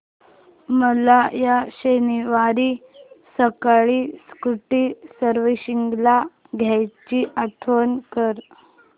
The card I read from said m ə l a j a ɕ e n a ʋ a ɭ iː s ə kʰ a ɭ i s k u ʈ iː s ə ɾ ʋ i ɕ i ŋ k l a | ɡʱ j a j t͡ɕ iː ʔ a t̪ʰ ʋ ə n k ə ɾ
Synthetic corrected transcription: m ə l a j a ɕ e n i ʋ a ɾ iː s ə k a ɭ i s k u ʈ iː s ə ɾ ʋ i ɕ i ŋ ɡ l a | ɡʱ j a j t͡ɕ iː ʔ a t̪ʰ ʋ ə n k ə ɾ

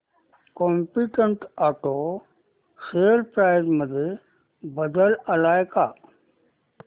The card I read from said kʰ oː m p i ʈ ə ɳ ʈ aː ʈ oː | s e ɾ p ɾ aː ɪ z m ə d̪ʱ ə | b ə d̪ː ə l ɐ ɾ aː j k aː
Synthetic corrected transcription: k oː m p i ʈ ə ɳ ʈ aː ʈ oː | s e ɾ p ɾ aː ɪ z m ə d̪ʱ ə | b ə d̪ ə l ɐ l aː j k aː

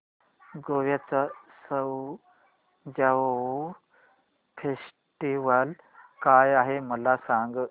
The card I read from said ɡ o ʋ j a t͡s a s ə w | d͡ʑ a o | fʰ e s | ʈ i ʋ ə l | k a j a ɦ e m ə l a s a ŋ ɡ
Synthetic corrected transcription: ɡ o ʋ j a t͡s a s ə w | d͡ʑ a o | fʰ e s | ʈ i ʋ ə l | k a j a ɦ e m ə l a s a ŋ ɡ

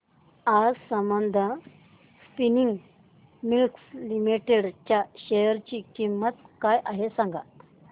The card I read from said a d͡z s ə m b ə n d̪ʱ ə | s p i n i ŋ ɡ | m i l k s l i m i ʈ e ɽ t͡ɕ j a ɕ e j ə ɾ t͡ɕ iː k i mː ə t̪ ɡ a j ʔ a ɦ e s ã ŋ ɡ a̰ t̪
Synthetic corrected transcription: a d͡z s ə m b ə n d̪ʱ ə | s p i n i ŋ ɡ | m i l k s l i m i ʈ e ɽ t͡ɕ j a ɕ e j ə ɾ t͡ɕ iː k i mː ə t̪ k a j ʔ a ɦ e s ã ŋ ɡ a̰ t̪

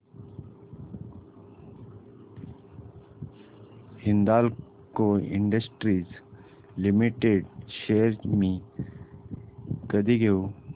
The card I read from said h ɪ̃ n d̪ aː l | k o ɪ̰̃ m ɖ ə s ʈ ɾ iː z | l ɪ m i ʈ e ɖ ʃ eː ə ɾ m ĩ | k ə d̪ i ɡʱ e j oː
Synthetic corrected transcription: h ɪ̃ n d̪ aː l | k o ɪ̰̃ ɳ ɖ ə s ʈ ɾ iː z | l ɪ m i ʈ e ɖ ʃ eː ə ɾ m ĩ | k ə d̪ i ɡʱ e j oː

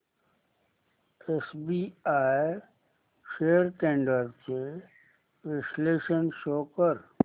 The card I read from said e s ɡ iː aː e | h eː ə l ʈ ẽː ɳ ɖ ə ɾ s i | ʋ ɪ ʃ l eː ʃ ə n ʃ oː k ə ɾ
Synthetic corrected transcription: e s b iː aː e | ʃ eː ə ɾ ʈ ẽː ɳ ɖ ə ɾ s e | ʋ ɪ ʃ l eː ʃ ə n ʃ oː k ə ɾ

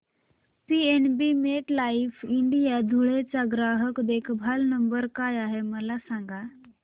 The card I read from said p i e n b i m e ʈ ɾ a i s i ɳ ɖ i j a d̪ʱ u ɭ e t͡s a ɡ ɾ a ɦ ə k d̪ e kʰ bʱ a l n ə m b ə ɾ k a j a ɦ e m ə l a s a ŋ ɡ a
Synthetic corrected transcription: p i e n b i m e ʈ l a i f i ɳ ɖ i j a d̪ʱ u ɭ e t͡s a ɡ ɾ a ɦ ə k d̪ e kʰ bʱ a l n ə m b ə ɾ k a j a ɦ e m ə l a s a ŋ ɡ a

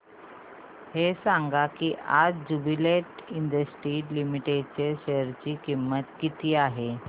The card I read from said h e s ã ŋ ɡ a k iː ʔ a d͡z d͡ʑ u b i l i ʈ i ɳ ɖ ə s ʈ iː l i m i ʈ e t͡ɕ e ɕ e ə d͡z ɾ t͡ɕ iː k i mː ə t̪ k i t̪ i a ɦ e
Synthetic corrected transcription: h e s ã ŋ ɡ a k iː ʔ a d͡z d͡ʑ u b i l e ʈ i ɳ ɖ ə s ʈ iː l i m i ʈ e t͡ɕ e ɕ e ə ɾ t͡ɕ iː k i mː ə t̪ k i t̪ iː a ɦ e

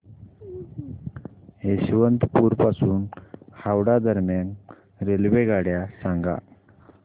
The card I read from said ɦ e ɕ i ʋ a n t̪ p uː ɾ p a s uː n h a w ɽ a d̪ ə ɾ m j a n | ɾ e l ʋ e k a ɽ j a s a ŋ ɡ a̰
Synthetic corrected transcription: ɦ e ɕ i ʋ ə n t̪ p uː ɾ p a s uː n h a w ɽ a d̪ ə ɾ m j a n | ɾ e l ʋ e ɡ a ɽ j a s a ŋ ɡ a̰

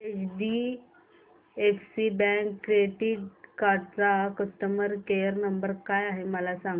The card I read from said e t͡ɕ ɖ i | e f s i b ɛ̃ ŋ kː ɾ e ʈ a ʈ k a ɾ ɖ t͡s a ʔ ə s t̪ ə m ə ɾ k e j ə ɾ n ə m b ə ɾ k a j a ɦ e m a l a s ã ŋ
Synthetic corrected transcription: e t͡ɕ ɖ i | e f s i b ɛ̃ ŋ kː ɾ e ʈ i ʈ k a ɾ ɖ t͡s a k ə s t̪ ə m ə ɾ k e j ə ɾ n ə m b ə ɾ k a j a ɦ e m ə l a s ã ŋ

